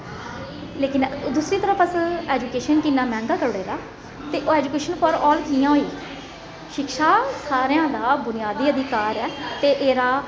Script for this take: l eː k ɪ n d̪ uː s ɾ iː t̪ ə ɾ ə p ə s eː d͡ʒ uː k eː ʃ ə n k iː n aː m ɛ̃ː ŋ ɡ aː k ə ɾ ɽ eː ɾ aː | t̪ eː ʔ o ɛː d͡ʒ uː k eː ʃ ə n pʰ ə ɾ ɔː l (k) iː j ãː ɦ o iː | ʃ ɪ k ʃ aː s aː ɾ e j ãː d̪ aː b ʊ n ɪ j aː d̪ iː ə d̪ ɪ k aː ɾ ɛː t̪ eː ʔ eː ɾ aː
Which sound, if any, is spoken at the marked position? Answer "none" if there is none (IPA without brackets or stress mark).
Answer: k